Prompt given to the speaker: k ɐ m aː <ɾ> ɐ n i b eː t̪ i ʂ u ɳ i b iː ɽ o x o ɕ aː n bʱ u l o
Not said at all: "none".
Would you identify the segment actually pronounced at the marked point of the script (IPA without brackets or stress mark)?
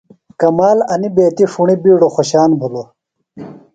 l